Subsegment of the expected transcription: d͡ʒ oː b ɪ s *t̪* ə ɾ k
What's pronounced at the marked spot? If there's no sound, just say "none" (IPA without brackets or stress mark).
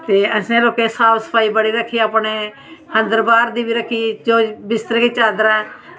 t̪